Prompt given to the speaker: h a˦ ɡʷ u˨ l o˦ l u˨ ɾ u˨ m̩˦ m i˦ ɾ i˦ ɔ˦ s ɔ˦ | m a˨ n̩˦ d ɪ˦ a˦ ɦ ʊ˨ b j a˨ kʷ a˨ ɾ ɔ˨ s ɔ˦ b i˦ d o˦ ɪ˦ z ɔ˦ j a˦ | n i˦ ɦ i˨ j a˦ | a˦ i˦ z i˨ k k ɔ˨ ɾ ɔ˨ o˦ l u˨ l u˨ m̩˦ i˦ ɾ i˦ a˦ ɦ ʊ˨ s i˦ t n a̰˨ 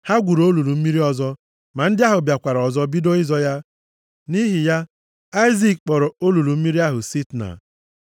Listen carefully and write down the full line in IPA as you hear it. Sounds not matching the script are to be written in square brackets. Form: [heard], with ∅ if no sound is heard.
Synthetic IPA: h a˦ ɡʷ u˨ [ɾ] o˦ l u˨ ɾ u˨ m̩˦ m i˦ ɾ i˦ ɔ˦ [z] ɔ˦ | m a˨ n̩˦ d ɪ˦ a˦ ɦ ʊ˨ b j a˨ kʷ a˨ ɾ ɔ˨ [z] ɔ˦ b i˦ d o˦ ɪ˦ z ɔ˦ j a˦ | n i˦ ɦ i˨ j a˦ | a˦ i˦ z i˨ k [k͡p] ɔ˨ ɾ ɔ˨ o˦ l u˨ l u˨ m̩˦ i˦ ɾ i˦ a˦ ɦ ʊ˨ s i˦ t n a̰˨